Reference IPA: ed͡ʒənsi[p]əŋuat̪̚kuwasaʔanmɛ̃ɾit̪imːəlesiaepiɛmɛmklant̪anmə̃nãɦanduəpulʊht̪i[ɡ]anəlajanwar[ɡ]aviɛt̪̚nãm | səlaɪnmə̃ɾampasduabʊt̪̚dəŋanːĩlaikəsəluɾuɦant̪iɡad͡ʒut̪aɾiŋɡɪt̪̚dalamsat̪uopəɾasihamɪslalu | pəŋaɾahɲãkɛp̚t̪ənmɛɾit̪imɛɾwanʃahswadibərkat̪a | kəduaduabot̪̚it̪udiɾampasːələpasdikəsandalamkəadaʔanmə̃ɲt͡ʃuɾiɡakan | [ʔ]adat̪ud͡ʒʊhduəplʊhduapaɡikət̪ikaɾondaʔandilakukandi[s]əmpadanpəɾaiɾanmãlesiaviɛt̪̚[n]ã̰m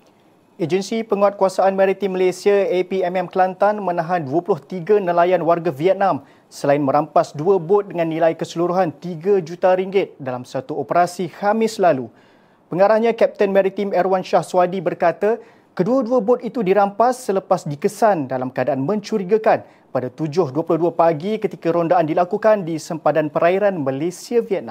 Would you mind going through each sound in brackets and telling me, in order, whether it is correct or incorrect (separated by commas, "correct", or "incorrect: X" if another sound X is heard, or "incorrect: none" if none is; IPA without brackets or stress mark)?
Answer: correct, correct, correct, incorrect: p, correct, correct